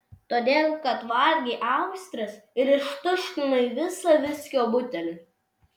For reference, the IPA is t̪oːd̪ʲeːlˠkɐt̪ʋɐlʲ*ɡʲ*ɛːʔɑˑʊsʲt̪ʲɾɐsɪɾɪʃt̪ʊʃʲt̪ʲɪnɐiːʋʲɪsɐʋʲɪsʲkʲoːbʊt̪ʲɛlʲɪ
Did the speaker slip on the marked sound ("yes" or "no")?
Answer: no